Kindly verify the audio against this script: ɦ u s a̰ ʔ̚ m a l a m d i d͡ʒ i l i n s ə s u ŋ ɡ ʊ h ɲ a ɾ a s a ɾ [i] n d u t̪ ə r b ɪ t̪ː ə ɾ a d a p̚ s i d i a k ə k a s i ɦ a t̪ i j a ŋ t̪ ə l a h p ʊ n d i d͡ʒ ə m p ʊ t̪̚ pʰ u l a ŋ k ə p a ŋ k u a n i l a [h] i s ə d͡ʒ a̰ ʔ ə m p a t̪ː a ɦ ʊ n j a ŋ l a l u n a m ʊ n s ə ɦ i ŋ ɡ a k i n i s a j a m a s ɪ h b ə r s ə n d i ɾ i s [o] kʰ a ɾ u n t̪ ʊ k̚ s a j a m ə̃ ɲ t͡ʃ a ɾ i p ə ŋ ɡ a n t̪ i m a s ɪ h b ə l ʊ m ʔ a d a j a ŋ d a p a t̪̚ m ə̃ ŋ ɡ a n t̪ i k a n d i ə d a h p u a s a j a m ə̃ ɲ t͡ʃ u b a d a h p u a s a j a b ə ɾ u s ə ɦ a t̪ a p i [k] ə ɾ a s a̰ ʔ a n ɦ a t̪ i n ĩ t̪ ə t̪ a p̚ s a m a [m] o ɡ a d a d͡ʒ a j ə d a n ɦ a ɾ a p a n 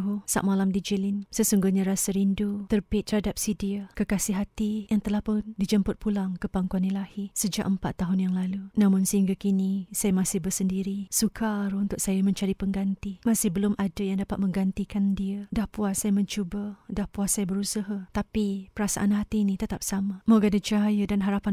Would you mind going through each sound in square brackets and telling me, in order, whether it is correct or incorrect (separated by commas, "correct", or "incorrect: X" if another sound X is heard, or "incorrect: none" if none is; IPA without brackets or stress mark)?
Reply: correct, correct, incorrect: u, incorrect: p, correct